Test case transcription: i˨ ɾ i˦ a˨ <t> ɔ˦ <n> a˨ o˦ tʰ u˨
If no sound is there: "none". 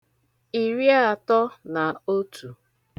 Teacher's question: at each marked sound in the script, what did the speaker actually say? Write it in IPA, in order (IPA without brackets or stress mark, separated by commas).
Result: t, n